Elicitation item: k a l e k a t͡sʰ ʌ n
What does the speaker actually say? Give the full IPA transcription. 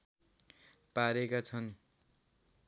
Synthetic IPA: p a ɾ e k a t͡sʰ ʌ n